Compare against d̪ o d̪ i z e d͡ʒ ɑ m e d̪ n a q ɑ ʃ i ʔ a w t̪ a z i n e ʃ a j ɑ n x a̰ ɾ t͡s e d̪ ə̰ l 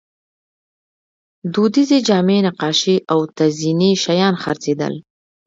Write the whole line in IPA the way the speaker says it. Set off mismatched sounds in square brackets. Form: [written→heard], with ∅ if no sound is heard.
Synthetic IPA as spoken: d̪ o d̪ i z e d͡ʒ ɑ m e [d̪→∅] n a q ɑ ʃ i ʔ a w t̪ a z i n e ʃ a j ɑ n x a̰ ɾ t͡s e d̪ ə̰ l